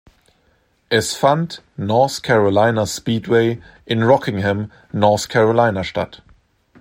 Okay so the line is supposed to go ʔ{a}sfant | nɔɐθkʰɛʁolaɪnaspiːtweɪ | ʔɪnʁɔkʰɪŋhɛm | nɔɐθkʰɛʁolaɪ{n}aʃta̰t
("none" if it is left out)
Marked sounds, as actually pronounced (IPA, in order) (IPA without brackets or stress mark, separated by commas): ɛ, n